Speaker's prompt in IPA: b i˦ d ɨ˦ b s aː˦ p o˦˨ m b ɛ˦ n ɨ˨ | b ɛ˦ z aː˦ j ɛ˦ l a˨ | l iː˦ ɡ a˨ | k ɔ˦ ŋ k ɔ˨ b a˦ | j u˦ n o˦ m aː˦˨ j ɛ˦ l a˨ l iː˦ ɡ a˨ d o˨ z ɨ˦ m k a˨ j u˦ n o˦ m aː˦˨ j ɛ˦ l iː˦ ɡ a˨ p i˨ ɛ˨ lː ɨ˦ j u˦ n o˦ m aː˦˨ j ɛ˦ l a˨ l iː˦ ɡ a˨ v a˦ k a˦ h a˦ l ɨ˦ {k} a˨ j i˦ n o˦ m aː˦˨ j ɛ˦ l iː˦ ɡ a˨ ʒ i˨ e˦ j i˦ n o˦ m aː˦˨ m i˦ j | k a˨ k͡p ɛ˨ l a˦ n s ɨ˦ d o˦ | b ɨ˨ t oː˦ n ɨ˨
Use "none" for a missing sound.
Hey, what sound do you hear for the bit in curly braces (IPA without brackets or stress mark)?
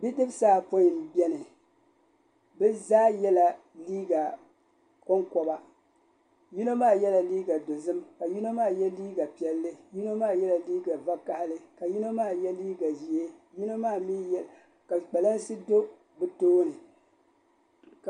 k